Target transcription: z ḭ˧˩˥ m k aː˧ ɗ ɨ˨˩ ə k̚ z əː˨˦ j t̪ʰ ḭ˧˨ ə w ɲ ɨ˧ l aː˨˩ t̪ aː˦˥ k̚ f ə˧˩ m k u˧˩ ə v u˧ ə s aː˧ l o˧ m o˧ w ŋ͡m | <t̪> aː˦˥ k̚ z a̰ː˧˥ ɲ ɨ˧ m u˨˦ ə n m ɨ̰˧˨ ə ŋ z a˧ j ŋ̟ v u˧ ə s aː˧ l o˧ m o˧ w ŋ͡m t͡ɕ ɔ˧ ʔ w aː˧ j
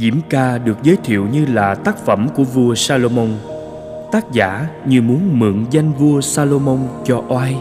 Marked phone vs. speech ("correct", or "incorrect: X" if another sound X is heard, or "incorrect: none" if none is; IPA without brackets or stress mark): correct